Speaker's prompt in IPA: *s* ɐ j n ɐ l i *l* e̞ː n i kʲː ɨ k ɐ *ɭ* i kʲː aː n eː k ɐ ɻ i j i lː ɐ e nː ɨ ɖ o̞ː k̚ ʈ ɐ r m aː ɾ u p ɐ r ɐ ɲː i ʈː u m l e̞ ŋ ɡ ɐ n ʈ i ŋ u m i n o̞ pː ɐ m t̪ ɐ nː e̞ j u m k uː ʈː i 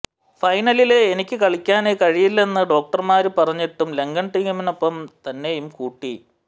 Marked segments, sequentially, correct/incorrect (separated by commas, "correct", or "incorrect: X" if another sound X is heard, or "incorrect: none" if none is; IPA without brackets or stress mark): incorrect: f, correct, correct